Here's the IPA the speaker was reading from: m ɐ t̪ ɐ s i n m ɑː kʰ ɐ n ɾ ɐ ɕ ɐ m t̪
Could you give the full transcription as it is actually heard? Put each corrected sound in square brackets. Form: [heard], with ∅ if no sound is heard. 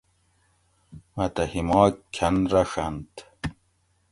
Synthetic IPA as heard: m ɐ t̪ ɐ [h] i [∅] m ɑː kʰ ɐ n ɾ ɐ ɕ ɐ [n] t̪